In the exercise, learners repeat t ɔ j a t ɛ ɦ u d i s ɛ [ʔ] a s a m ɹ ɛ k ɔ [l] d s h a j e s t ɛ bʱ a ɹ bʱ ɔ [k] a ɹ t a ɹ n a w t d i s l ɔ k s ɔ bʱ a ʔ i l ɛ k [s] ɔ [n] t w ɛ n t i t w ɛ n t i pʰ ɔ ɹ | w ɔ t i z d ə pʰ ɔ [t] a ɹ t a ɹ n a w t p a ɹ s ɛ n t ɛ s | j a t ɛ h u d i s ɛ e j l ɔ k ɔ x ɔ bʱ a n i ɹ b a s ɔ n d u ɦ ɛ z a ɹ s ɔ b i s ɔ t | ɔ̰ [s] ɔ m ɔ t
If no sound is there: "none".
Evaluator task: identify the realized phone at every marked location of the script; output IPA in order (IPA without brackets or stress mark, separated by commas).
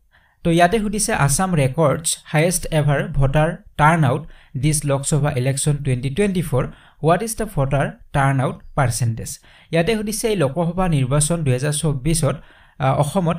ʔ, ɹ, t, s, n, t, x